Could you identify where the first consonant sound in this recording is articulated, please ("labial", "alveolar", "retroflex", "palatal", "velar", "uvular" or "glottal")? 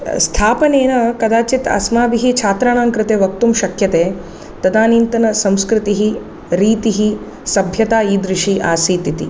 alveolar